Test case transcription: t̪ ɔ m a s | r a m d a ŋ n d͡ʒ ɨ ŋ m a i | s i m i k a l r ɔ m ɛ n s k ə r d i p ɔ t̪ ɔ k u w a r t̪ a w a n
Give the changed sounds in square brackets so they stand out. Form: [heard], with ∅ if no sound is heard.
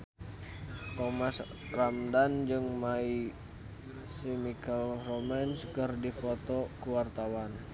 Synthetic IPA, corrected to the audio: t̪ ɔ m a s | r a m d a [∅] n d͡ʒ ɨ ŋ m a i | s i m i k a l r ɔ m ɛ n s k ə r d i p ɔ t̪ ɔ k u w a r t̪ a w a n